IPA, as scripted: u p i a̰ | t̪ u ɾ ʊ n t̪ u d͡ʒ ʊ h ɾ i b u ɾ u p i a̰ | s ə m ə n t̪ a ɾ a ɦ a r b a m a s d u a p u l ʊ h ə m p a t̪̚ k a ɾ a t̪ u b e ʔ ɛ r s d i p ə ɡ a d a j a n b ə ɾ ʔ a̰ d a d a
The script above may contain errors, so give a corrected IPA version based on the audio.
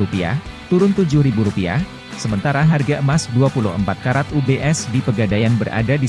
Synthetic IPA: u p i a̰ | t̪ u ɾ ʊ n t̪ u d͡ʒ ʊ h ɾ i b u ɾ u p i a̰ | s ə m ə n t̪ a ɾ a ɦ a r ɡ a m a s d u a p u l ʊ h ə m p a t̪̚ k a ɾ a t̪ u b e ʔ ɛ s d i p ə ɡ a d a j a n b ə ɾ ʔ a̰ d a d i